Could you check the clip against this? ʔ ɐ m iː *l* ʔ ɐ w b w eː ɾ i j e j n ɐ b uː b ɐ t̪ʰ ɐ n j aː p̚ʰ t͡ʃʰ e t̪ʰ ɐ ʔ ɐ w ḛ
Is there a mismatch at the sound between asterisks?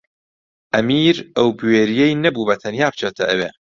yes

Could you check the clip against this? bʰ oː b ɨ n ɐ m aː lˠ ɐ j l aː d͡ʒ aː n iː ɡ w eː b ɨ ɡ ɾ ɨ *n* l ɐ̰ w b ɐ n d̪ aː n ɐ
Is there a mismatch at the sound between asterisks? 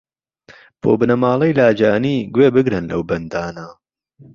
no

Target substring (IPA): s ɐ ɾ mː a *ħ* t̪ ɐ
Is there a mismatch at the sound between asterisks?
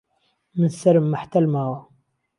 no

